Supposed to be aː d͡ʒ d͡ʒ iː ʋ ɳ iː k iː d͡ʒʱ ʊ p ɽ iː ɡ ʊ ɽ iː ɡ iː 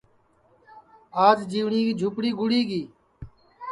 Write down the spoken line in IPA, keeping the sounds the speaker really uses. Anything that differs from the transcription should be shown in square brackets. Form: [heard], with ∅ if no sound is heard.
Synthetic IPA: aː d͡ʒ d͡ʒ iː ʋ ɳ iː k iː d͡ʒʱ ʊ p ɽ iː ɡ ʊ ɽ iː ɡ iː